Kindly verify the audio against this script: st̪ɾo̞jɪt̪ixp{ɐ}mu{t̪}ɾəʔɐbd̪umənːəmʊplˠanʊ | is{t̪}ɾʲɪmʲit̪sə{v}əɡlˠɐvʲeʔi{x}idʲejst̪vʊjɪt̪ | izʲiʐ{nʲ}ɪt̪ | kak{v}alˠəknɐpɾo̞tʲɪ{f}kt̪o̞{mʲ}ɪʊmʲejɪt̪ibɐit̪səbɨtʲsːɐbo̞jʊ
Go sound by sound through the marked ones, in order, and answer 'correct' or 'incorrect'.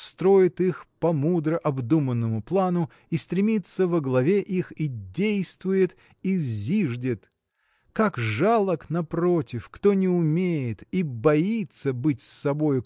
correct, incorrect: d̪, correct, correct, correct, incorrect: dʲ, incorrect: ʐ, correct, incorrect: nʲ

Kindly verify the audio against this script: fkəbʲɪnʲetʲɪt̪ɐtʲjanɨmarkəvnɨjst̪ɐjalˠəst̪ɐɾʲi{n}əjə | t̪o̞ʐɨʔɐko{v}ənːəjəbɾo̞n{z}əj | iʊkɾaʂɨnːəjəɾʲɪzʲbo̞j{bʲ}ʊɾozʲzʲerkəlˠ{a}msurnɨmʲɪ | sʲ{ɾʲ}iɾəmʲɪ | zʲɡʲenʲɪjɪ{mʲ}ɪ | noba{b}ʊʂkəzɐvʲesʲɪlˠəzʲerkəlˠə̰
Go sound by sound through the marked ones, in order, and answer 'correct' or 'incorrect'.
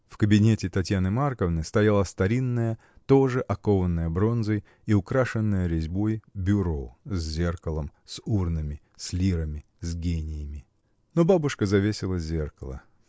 incorrect: nː, correct, correct, correct, incorrect: ə, incorrect: lʲ, correct, correct

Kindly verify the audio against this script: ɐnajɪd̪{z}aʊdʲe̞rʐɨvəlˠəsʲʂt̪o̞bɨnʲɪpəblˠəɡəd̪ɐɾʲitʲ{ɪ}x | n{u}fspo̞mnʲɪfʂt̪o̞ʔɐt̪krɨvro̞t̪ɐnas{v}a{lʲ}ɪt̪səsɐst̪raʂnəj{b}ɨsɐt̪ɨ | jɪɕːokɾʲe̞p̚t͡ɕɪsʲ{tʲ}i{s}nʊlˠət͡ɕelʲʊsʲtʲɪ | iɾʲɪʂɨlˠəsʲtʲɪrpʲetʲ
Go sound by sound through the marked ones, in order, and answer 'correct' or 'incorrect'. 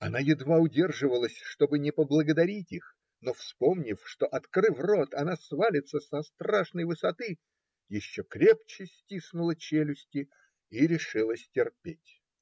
incorrect: v, incorrect: i, incorrect: o, correct, correct, incorrect: v, correct, correct

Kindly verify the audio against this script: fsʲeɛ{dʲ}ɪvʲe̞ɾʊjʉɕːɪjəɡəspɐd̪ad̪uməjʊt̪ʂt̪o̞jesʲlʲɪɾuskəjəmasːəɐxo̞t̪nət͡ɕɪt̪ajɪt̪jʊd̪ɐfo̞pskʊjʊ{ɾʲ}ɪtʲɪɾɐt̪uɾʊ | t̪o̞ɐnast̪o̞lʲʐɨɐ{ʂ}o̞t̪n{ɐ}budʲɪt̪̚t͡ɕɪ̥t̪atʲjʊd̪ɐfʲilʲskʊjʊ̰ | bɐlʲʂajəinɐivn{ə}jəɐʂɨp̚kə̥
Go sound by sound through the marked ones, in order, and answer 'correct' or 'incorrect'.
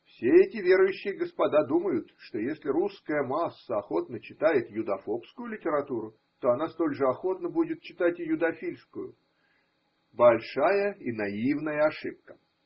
incorrect: tʲ, incorrect: lʲ, incorrect: x, incorrect: ə, correct

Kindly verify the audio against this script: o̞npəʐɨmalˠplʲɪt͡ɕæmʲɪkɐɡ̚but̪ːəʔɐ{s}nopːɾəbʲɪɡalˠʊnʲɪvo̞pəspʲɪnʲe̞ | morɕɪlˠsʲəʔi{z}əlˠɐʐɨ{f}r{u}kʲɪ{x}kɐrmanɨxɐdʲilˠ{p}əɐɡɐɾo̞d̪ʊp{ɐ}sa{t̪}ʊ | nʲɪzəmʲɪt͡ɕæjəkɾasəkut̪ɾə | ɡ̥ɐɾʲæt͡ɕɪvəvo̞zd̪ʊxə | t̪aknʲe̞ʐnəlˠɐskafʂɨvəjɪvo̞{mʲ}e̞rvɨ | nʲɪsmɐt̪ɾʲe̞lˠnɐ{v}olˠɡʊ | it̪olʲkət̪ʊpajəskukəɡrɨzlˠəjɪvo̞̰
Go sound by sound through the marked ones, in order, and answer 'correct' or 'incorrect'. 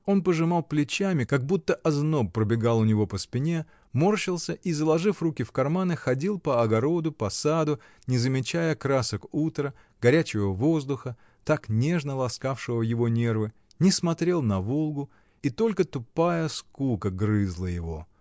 incorrect: z, correct, correct, correct, incorrect: f, correct, correct, incorrect: d̪, incorrect: nʲ, correct

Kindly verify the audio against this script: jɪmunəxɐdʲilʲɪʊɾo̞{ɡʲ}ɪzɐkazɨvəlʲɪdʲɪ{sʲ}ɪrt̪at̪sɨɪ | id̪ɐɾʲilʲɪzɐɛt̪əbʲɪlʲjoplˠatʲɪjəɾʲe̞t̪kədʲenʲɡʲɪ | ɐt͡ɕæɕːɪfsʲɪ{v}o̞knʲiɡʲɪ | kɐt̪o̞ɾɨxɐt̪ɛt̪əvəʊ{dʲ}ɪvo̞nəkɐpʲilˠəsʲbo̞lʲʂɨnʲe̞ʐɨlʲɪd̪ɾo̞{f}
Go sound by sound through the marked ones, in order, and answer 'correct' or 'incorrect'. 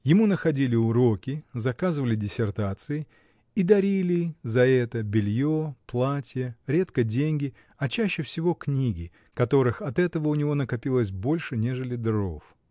incorrect: kʲ, correct, correct, incorrect: nʲ, correct

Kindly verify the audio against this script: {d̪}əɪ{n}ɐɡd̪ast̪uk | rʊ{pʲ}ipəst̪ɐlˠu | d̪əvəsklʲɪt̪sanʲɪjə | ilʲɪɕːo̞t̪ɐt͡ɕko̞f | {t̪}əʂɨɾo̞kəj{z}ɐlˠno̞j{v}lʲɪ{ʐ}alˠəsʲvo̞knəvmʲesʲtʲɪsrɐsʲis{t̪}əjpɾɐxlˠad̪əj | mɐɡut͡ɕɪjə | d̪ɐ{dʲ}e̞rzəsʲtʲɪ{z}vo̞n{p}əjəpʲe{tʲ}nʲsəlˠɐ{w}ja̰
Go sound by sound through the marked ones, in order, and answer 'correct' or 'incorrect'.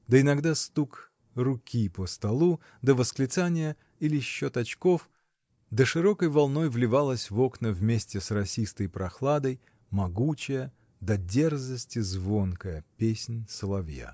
correct, correct, incorrect: kʲ, incorrect: d̪, incorrect: v, correct, incorrect: v, correct, correct, correct, incorrect: k, incorrect: sʲ, incorrect: v

